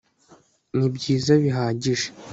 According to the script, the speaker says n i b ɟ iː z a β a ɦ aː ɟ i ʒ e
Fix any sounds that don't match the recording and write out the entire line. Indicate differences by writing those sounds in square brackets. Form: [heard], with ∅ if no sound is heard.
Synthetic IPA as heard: n i b ɟ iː z a β [i] ɦ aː ɟ i ʒ e